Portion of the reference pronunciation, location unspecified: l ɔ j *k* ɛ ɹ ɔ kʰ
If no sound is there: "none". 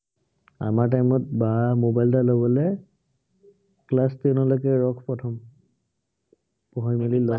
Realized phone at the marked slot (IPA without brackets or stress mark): k